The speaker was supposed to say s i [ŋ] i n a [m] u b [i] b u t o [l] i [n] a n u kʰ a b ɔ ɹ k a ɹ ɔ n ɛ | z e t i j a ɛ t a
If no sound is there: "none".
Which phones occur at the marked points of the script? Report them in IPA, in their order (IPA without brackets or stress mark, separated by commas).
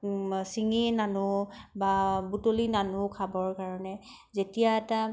ŋ, n, a, l, n